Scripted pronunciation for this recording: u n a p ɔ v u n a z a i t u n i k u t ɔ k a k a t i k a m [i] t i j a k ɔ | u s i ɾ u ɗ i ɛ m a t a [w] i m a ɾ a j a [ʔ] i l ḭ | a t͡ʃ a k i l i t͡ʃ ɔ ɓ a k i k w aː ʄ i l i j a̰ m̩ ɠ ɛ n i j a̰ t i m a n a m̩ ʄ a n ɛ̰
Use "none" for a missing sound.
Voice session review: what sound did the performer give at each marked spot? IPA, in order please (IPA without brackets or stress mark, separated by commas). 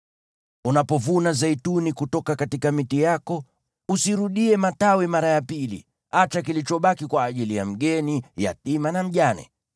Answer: i, w, p